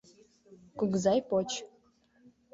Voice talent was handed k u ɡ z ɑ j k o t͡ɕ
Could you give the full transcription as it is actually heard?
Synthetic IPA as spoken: k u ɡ z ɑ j p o t͡ɕ